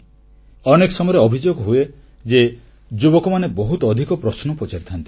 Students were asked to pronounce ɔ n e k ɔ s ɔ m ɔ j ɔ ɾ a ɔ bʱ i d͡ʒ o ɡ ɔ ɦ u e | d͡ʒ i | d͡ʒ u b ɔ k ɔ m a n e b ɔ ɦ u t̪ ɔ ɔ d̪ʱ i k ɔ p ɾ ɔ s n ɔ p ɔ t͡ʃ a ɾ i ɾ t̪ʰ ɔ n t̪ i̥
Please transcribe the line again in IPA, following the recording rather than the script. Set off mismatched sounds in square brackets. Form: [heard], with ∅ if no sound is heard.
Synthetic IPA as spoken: ɔ n e k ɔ s ɔ m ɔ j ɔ ɾ [e] ɔ bʱ i d͡ʒ o ɡ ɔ ɦ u e | d͡ʒ [e] | d͡ʒ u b ɔ k ɔ m a n e b ɔ ɦ u t̪ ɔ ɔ d̪ʱ i k ɔ p ɾ ɔ s n ɔ p ɔ t͡ʃ a ɾ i [∅] t̪ʰ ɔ n t̪ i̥